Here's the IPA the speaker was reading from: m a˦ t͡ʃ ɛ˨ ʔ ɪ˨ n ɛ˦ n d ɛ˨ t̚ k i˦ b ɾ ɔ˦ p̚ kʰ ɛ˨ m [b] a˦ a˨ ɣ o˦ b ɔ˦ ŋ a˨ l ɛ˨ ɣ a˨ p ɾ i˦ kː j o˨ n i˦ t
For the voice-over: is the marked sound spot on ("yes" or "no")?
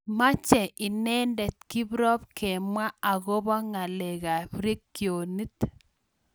no